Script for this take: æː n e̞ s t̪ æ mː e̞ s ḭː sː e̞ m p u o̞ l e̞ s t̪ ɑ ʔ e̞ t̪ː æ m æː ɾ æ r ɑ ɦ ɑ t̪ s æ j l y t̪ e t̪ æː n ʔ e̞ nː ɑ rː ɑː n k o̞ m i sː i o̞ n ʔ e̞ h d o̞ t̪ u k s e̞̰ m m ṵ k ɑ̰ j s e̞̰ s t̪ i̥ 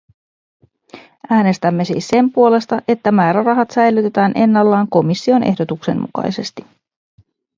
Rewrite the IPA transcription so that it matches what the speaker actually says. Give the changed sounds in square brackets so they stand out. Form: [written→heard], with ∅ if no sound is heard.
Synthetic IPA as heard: æː n e̞ s t̪ æ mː e̞ s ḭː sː e̞ m p u o̞ l e̞ s t̪ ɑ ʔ e̞ t̪ː æ m æː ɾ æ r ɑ ɦ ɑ t̪ s æ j l y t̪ e t̪ æː n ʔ e̞ nː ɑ [rː→lː] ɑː [n→ŋ] k o̞ m i sː i o̞ n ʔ e̞ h d o̞ t̪ u k s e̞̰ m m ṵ k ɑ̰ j s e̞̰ s t̪ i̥